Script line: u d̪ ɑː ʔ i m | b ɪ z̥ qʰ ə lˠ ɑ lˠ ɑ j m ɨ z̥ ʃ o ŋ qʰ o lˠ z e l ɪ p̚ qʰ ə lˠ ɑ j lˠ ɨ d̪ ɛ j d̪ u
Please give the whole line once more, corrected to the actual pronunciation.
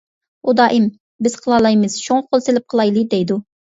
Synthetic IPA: u d̪ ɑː ʔ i m | b ɪ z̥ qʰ ə lˠ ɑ lˠ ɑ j m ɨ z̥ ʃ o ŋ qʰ o lˠ s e l ɪ p̚ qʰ ə lˠ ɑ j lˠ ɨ d̪ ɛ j d̪ u

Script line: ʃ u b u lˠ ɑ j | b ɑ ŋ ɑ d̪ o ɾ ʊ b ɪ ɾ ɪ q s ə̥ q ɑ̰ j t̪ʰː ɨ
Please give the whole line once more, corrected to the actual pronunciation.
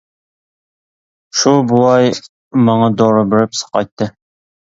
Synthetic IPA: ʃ u b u lˠ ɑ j | m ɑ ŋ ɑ d̪ o ɾ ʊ b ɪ ɾ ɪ p s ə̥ q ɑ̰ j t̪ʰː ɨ

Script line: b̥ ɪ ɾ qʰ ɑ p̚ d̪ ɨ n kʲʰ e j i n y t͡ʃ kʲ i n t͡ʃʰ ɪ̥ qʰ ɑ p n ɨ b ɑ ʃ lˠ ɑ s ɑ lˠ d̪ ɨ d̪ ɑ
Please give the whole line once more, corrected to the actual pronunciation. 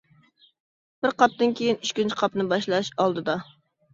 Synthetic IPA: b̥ ɪ ɾ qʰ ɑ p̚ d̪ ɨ n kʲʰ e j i n y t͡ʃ kʲ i n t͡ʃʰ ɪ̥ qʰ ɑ p n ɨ b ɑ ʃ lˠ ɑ ʃ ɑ lˠ d̪ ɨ d̪ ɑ

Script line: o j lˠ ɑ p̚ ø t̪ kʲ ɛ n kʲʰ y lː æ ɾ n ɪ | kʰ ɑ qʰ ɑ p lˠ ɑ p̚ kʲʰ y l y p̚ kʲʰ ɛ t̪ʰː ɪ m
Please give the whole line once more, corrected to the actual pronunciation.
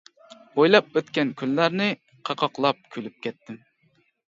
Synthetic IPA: o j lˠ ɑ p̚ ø t̪ kʲ ɛ n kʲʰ y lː æ ɾ n ɪ | qʰ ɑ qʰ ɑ q lˠ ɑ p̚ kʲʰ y l y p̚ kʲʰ ɛ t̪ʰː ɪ m

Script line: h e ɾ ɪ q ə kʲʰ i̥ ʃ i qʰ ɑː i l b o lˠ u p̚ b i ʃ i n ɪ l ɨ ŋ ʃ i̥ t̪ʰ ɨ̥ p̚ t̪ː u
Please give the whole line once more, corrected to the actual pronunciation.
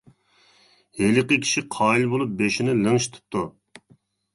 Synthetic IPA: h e l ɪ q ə kʲʰ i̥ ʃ i qʰ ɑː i l b o lˠ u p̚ b e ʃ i n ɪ l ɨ ŋ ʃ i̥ t̪ʰ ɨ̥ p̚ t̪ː u

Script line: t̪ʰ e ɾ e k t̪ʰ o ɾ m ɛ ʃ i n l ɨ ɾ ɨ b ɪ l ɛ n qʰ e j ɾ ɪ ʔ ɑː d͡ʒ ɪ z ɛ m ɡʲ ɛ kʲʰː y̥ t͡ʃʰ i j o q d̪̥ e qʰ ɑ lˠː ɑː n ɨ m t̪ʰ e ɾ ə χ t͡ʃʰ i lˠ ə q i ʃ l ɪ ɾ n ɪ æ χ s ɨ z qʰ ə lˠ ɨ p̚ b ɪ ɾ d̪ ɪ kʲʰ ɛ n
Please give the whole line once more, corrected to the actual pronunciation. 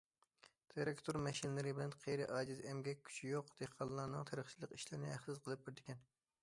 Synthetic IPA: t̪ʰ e ɾ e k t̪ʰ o ɾ m ɛ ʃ i n l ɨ ɾ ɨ b ɪ l ɛ n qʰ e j ɾ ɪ ʔ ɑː d͡ʒ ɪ z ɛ m ɡʲ ɛ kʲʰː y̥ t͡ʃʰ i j o q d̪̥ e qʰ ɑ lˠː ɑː n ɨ ŋ t̪ʰ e ɾ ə χ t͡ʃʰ i lˠ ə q i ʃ l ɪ ɾ n ɪ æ χ s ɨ z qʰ ə lˠ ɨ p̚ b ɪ ɾ d̪ ɪ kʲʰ ɛ n

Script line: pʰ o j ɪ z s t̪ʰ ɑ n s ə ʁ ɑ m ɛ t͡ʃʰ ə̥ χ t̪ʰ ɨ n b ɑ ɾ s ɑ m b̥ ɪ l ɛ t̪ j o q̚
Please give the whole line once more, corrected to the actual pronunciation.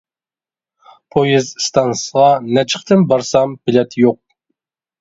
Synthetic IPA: pʰ o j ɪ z s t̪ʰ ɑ n s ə ʁ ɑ n ɛ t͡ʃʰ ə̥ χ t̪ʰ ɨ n b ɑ ɾ s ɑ m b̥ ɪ l ɛ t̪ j o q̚

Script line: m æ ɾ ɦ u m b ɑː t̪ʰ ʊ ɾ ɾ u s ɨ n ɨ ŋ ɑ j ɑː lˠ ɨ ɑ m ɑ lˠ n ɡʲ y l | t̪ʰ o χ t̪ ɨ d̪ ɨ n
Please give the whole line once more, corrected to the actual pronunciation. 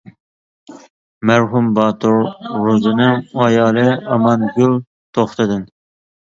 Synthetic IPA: m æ ɾ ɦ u m b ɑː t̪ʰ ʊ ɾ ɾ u z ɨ n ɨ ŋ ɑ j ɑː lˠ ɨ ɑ m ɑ n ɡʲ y l | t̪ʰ o χ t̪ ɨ d̪ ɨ n

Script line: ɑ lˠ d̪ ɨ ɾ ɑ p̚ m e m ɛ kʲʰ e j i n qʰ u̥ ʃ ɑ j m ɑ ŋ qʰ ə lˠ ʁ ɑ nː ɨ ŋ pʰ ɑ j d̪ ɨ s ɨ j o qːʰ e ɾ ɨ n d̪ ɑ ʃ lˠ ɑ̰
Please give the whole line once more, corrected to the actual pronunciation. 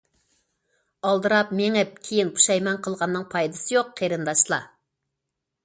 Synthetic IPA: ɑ lˠ d̪ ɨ ɾ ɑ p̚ m e ŋ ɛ kʲʰ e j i n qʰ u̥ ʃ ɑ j m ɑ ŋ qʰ ə lˠ ʁ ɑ nː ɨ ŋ pʰ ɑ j d̪ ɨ s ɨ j o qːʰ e ɾ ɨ n d̪ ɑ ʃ lˠ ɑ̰

